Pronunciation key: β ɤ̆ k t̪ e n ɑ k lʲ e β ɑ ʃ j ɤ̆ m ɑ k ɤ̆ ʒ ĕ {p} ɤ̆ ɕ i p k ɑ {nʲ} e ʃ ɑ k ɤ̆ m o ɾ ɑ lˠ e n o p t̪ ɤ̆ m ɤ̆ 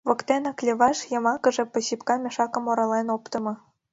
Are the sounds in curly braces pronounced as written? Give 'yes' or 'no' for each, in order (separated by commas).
yes, no